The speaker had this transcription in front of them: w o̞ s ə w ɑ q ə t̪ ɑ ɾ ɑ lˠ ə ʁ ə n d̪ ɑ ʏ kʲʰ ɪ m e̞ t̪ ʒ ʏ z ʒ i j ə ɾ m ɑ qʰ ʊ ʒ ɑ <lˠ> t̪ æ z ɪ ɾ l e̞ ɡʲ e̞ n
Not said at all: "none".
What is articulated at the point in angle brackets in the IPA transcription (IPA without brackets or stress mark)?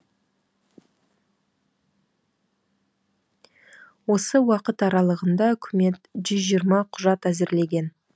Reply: none